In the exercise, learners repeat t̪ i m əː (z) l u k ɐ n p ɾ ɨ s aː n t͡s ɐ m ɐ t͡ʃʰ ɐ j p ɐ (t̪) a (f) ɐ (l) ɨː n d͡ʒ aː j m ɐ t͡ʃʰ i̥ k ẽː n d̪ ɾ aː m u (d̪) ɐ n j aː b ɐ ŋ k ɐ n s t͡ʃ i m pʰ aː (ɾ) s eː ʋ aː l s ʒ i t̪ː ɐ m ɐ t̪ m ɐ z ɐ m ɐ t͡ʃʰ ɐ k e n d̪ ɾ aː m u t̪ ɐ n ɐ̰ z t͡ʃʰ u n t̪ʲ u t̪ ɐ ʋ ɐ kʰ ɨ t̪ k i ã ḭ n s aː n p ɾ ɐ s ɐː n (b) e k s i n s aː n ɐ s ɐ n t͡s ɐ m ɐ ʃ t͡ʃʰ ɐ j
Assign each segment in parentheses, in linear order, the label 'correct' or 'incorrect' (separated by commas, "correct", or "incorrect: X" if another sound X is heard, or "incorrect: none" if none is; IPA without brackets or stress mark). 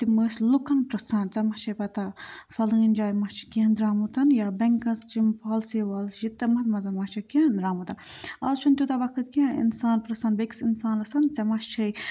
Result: incorrect: s, correct, correct, correct, incorrect: t̪, incorrect: l, correct